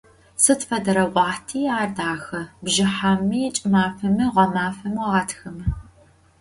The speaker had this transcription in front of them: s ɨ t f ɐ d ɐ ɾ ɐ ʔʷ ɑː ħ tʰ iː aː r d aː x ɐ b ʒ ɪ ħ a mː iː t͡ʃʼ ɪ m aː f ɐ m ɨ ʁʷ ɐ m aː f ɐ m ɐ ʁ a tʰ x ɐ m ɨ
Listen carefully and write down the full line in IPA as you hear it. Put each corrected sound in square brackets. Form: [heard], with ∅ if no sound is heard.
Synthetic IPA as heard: s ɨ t f ɐ d ɐ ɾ ɐ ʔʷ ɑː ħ tʰ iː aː r d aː x ɐ b ʒ ɪ ħ a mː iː t͡ʃʼ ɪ m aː f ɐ m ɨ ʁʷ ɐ m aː f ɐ m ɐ ʁ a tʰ x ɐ m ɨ